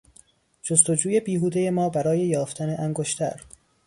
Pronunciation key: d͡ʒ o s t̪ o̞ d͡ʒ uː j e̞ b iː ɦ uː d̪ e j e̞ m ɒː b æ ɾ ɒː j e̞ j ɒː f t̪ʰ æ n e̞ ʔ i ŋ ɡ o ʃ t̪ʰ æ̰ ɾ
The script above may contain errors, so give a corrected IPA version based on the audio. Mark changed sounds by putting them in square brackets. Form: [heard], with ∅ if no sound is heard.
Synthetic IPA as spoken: d͡ʒ o s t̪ o̞ d͡ʒ uː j e̞ b iː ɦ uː d̪ e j e̞ m ɒː b æ ɾ ɒː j e̞ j ɒː f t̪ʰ æ n e̞ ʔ [æ] ŋ ɡ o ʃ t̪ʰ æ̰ ɾ